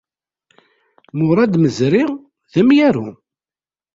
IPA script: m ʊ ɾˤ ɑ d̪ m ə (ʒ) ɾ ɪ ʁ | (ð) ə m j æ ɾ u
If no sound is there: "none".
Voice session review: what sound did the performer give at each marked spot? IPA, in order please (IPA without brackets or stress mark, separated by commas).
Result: z, ð